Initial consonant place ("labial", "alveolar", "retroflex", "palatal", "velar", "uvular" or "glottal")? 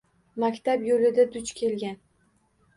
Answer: labial